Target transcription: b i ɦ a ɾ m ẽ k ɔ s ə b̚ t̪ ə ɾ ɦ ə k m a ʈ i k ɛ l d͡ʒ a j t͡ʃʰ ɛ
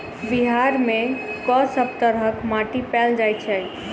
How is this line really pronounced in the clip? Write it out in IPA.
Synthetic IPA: b i ɦ a ɾ m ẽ k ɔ s ə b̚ t̪ ə ɾ ɦ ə k m a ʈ i p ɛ l d͡ʒ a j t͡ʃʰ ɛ